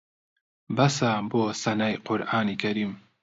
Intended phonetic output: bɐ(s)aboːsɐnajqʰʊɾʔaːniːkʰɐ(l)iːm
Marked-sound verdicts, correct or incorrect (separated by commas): correct, incorrect